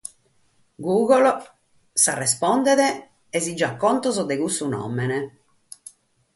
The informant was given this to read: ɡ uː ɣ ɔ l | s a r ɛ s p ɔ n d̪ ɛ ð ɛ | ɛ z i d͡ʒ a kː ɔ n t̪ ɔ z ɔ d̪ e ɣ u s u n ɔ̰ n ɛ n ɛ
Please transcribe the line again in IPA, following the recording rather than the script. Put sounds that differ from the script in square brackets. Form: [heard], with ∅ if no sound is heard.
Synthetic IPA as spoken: ɡ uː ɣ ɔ l | s a r ɛ s p ɔ n d̪ ɛ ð ɛ | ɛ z i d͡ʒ a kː ɔ n t̪ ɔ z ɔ d̪ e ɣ u s u n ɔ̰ [m] ɛ n ɛ